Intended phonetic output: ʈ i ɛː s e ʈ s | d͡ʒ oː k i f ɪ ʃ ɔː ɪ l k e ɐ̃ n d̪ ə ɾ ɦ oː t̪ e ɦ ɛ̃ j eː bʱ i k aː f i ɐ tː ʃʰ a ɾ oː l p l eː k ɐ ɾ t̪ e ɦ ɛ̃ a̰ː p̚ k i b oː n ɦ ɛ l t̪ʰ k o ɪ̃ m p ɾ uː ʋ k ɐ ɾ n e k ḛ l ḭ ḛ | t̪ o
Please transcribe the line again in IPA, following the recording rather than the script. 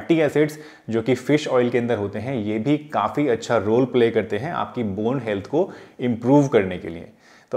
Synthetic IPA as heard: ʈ i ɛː s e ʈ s | d͡ʒ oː k i f ɪ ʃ ɔː ɪ l k e ɐ̃ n d̪ ə ɾ ɦ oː t̪ e ɦ ɛ̃ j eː bʱ i k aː f i ɐ tː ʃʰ a ɾ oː l p l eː k ɐ ɾ t̪ e ɦ ɛ̃ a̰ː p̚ k i b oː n ɦ ɛ l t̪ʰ k o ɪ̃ m p ɾ uː ʋ k ɐ ɾ n e k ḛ l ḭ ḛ | t̪ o